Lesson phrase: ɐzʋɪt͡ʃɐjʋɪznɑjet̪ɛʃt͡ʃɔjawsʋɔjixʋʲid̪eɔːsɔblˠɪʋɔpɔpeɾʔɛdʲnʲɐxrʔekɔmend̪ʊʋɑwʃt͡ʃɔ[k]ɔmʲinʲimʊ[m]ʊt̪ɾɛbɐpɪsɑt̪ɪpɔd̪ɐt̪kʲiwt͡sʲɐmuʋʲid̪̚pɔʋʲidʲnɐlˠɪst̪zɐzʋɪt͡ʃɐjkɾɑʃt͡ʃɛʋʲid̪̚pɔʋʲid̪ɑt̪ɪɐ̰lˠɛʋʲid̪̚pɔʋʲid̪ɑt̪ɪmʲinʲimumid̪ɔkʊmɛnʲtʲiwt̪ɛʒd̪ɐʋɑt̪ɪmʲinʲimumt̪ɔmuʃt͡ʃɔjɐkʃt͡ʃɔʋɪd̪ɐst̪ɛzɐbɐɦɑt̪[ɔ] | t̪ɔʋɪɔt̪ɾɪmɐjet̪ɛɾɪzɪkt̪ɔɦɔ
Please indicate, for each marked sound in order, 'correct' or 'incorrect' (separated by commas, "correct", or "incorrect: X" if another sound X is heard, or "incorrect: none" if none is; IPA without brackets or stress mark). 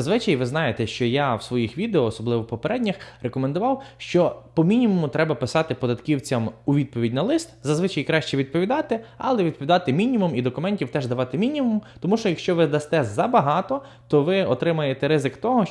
incorrect: p, correct, correct